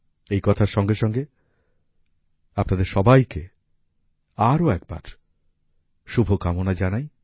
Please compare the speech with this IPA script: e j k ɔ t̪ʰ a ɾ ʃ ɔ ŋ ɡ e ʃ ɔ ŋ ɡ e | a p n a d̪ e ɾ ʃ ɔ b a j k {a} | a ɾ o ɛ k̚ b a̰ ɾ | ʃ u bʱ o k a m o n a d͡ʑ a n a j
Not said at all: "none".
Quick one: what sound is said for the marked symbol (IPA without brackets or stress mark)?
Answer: e